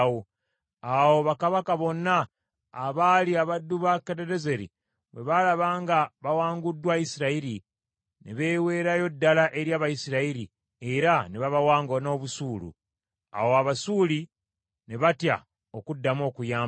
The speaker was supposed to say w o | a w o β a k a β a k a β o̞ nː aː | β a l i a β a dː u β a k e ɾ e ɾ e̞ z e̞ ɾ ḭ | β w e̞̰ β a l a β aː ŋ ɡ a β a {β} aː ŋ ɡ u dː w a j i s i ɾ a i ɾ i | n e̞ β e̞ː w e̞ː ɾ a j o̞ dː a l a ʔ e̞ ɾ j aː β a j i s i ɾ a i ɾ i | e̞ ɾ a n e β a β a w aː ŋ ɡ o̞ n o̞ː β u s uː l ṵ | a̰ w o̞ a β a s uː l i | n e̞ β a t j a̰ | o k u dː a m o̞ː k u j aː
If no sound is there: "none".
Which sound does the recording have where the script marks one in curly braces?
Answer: w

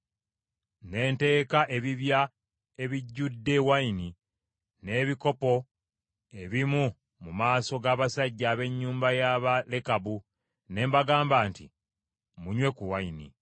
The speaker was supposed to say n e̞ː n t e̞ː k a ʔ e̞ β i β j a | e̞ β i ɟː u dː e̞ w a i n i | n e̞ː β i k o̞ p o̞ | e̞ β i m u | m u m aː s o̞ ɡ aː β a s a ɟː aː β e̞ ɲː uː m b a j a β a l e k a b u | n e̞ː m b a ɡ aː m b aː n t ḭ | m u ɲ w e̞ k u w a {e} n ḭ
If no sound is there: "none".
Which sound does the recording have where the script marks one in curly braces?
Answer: i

